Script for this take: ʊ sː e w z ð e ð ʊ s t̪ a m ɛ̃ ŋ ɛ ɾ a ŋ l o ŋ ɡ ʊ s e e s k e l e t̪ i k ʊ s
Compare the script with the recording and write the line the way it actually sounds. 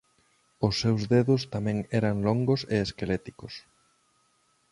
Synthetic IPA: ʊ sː e w z ð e ð ʊ s t̪ a m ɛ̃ ŋ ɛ ɾ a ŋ l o ŋ ɡ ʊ s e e s k e l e t̪ i k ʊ s